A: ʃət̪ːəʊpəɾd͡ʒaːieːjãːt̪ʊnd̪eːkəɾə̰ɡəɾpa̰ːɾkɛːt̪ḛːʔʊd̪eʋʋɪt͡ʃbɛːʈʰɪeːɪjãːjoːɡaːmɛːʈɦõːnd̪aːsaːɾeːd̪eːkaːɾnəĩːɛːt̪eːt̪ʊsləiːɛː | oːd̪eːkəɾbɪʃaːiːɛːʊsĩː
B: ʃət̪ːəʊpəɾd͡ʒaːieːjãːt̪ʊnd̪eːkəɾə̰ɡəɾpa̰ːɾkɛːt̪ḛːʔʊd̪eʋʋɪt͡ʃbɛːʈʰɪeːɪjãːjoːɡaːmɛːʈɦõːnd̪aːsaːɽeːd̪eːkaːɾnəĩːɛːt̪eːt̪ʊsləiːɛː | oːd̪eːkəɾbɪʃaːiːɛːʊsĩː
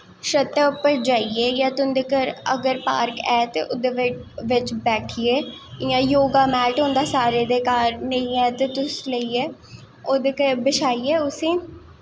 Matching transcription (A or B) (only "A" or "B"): A